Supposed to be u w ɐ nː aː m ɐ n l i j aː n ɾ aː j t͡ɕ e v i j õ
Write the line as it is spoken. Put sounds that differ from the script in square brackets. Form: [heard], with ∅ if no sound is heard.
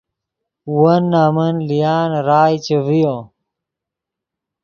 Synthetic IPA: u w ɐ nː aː m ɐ n l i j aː n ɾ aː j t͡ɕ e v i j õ